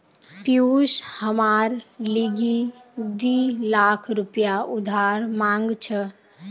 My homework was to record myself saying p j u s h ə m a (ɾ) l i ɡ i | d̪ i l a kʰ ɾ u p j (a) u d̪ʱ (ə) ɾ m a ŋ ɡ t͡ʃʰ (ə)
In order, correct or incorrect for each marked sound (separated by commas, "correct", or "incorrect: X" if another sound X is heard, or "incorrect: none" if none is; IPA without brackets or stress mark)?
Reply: correct, correct, incorrect: a, correct